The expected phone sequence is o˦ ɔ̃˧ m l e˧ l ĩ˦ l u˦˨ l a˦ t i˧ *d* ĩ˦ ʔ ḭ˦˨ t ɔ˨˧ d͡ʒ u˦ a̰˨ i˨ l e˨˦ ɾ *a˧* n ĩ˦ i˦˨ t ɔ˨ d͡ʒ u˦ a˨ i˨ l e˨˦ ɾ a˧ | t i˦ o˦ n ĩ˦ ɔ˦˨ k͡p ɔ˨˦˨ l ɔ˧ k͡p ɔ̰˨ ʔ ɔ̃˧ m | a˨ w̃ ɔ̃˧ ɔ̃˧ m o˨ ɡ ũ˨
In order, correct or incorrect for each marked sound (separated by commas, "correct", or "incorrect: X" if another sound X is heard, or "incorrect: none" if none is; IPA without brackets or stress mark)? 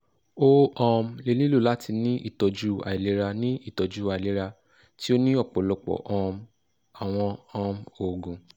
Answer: incorrect: n, correct